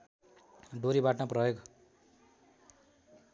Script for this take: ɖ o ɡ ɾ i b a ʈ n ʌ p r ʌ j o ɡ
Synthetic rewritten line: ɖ o ɾ i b a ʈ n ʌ p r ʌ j o ɡ